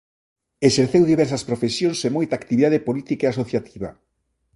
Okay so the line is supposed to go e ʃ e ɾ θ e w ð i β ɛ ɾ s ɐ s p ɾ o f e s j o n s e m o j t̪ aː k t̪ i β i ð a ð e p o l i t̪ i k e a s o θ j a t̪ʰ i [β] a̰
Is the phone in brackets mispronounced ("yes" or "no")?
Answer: no